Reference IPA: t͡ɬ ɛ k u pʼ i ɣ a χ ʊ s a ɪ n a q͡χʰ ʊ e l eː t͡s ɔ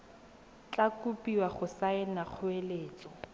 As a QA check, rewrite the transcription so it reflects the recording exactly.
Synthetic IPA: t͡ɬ a k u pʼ i w a χ ʊ s a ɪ n a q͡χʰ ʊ e l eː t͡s ɔ